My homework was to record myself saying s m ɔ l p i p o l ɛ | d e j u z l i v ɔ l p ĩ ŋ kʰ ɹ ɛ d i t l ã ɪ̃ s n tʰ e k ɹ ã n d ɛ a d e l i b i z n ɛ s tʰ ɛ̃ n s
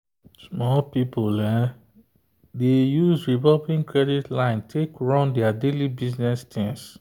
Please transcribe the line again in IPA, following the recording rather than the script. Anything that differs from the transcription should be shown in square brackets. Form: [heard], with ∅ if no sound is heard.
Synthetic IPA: s m ɔ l p i p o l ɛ | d e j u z [ɹ] i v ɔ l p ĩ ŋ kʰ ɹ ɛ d i t l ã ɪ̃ [∅] n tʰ e k ɹ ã n d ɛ a d e l i b i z n ɛ s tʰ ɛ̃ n s